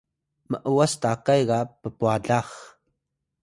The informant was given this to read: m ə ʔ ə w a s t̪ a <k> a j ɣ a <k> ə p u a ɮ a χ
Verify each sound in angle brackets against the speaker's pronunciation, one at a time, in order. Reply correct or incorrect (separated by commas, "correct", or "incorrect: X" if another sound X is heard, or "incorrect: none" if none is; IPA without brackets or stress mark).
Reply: correct, incorrect: p